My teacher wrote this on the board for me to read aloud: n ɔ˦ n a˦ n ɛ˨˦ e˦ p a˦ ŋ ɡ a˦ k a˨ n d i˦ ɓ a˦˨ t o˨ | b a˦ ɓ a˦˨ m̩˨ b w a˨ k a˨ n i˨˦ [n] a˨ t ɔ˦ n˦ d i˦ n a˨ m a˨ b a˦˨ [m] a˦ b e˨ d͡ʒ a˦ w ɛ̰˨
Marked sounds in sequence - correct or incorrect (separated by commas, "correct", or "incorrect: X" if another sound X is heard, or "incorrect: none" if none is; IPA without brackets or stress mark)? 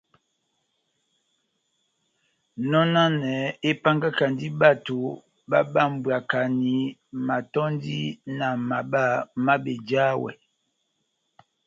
incorrect: m, correct